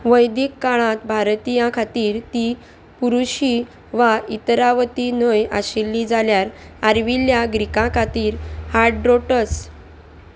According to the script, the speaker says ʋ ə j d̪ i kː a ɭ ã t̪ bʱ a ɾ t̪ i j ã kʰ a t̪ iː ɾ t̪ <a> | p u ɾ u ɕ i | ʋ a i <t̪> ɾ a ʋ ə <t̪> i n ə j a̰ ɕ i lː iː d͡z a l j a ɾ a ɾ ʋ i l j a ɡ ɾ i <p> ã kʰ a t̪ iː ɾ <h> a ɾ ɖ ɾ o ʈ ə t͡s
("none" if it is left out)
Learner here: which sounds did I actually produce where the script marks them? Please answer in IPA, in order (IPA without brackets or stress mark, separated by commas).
i, t̪, t̪, k, h